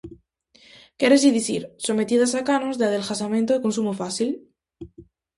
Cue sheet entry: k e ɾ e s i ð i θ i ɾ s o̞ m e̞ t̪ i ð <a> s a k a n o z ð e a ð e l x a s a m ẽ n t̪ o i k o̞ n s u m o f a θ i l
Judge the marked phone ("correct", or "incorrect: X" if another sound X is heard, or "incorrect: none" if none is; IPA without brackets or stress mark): correct